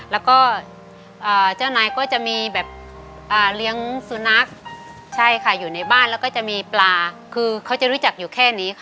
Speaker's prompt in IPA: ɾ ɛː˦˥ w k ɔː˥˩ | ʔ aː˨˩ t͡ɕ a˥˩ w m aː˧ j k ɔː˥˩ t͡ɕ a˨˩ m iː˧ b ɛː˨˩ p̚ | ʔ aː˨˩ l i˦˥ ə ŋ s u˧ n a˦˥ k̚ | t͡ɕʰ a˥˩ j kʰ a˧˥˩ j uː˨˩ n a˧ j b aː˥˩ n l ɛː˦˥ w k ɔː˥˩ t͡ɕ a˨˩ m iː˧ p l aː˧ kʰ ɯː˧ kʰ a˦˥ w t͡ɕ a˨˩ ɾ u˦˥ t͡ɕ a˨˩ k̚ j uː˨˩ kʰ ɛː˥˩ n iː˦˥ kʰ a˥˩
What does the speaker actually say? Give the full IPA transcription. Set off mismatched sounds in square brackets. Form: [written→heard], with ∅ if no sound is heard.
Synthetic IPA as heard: [ɾ→l] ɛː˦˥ w k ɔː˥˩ | ʔ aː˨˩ t͡ɕ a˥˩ w [m→n] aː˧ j k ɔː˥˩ t͡ɕ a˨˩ m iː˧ b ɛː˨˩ p̚ | ʔ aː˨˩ l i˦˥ ə ŋ s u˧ n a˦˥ k̚ | t͡ɕʰ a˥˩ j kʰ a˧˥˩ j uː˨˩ n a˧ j b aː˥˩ n l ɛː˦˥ w k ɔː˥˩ t͡ɕ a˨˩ m iː˧ p l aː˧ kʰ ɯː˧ kʰ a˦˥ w t͡ɕ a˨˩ ɾ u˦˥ t͡ɕ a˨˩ k̚ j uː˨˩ kʰ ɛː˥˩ n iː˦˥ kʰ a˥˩